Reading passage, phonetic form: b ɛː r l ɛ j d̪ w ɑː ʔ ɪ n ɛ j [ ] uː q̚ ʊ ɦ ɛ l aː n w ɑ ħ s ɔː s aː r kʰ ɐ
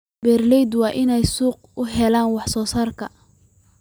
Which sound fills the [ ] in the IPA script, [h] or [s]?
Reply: s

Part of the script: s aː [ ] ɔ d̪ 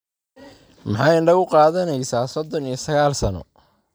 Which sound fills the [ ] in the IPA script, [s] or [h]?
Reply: s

